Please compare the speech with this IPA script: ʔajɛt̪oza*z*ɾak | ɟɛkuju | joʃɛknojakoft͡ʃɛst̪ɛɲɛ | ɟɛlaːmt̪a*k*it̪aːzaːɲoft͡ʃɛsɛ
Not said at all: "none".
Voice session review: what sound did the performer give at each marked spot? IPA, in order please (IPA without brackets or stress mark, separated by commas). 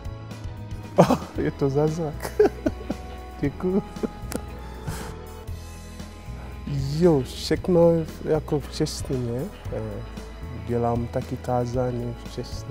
z, k